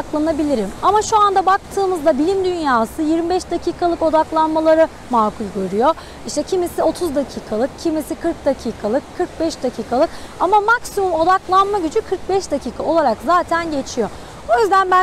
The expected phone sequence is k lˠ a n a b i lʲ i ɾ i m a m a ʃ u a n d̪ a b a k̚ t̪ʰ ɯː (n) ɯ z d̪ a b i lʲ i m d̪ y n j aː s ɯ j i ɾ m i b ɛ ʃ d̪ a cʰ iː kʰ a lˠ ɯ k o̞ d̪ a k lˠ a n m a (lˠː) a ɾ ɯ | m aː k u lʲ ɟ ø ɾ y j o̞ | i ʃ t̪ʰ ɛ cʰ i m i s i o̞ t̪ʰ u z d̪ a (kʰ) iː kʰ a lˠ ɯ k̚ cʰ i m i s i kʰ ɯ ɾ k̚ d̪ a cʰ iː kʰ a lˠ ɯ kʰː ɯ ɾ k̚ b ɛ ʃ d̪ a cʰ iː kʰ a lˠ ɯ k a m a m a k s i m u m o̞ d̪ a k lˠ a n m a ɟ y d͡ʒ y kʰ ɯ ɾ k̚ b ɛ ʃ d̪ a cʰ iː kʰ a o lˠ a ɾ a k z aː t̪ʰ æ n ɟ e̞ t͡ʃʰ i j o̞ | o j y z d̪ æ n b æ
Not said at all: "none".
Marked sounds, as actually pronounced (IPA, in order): m, lˠ, cʰ

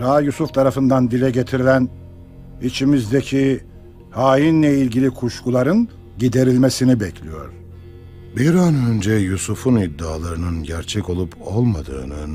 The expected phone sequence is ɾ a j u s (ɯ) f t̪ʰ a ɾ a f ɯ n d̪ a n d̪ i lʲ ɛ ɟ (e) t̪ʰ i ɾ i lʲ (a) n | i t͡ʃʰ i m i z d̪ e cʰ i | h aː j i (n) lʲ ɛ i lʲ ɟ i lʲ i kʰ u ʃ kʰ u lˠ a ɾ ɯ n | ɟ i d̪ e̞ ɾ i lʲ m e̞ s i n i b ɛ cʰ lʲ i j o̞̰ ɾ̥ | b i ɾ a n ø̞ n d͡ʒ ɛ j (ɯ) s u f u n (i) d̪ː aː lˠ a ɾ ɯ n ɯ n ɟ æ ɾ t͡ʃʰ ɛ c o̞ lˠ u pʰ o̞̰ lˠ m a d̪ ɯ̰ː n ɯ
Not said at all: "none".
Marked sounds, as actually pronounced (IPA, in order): u, e, æ, n, u, i

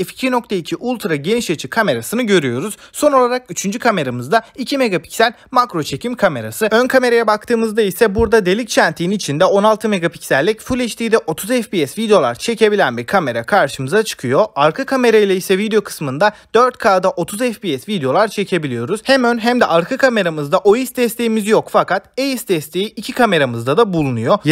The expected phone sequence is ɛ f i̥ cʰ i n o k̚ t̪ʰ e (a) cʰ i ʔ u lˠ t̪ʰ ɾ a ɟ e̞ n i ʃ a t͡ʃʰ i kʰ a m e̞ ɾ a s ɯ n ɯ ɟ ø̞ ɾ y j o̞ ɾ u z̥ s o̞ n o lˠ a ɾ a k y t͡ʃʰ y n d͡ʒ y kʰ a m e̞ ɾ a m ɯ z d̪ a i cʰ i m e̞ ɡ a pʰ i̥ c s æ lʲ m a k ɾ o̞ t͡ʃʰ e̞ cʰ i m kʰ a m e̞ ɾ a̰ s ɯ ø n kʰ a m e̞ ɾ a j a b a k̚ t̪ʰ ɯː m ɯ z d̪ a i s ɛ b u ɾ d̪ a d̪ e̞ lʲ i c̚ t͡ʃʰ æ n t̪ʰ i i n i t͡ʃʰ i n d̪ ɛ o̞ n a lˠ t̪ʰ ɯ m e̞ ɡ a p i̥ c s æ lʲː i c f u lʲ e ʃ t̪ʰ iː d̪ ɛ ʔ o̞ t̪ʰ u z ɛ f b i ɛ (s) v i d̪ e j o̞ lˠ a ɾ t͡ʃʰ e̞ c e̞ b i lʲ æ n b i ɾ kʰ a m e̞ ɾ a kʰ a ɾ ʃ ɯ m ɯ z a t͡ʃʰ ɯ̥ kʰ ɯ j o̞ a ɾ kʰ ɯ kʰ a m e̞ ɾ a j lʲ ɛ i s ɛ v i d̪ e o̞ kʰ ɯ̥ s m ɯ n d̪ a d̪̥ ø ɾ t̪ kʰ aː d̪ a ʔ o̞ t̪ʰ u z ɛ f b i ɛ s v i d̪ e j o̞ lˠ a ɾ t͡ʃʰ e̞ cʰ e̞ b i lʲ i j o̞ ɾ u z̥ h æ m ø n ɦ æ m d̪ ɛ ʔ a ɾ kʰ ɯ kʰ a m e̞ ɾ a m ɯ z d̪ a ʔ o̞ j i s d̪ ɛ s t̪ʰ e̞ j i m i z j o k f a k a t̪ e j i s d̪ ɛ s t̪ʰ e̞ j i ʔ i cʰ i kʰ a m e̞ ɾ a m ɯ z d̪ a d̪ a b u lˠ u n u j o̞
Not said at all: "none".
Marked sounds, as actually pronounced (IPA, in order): i, s

